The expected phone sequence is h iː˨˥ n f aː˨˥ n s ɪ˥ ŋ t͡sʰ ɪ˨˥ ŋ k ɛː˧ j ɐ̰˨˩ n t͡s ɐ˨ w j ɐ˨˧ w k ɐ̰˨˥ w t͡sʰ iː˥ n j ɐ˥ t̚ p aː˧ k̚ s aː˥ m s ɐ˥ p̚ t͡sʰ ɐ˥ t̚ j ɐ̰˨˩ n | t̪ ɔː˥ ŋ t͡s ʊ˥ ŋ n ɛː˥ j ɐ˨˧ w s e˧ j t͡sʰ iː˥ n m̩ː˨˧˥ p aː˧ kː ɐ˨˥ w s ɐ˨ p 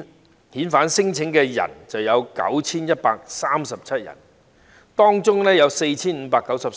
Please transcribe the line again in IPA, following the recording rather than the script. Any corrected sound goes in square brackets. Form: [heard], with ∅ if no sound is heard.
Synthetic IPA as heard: h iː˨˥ n f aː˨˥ n s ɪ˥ ŋ t͡sʰ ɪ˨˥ ŋ k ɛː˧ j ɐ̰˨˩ n t͡s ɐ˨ w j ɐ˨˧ w k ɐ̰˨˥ w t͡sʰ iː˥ n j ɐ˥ t̚ p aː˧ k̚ s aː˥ m s [ɐ˨] p̚ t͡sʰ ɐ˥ t̚ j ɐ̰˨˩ n | t̪ ɔː˥ ŋ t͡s ʊ˥ ŋ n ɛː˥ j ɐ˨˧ w s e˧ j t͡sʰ iː˥ n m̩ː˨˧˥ p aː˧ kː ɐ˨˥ w s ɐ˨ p